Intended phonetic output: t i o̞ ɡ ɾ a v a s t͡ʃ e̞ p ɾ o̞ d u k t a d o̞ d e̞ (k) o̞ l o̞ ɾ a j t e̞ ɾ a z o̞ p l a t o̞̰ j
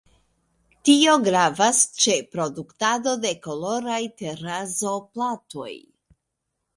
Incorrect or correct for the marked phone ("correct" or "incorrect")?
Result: correct